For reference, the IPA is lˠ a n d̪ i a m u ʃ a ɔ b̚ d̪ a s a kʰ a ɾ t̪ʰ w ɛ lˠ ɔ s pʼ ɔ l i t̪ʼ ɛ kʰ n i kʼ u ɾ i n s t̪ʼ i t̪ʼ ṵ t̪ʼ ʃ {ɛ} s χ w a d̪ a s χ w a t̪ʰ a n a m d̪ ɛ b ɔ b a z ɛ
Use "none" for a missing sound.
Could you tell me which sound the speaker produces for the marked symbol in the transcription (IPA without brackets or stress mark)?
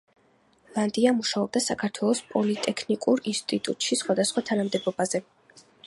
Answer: i